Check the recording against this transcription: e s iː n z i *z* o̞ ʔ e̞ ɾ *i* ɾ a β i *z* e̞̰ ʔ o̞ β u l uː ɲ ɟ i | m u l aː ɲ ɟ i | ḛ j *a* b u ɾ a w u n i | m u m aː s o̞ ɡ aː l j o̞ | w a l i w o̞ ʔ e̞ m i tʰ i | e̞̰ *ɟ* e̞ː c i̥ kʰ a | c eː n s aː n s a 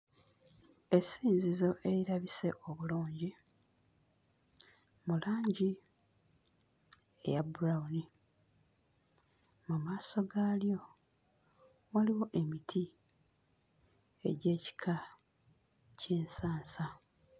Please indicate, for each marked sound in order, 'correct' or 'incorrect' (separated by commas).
correct, correct, incorrect, correct, correct